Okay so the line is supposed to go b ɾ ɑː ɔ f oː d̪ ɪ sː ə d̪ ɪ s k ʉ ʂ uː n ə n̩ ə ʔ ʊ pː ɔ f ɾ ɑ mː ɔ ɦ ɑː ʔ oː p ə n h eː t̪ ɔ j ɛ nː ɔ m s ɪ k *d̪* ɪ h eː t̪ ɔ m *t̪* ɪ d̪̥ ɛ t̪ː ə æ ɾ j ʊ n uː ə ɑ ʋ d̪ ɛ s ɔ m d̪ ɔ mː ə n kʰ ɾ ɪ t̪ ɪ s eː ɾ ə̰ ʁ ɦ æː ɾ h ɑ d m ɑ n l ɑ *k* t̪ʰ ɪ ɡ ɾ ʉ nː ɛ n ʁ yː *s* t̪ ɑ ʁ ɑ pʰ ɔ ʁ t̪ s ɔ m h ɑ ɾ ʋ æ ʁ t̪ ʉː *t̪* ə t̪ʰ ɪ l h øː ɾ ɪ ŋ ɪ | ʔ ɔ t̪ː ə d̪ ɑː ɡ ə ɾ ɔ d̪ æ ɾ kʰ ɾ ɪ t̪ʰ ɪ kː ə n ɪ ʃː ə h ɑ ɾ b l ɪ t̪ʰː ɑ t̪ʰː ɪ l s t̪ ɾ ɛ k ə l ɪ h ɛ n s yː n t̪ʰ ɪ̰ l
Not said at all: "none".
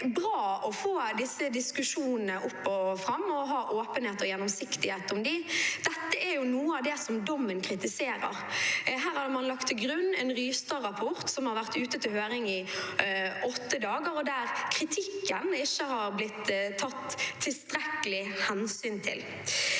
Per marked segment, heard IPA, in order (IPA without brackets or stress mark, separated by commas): t̪, d̪, k, s, t̪